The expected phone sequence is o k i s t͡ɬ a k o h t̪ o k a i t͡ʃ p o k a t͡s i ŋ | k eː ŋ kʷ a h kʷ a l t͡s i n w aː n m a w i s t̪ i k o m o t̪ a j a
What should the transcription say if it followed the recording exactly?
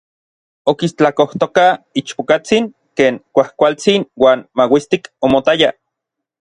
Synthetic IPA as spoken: o k i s t͡ɬ a k o h t̪ o k a i t͡ʃ p o k a t͡s i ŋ | k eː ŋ kʷ a h kʷ a l t͡s i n w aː n m a w i s t̪ i k o m o t̪ a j a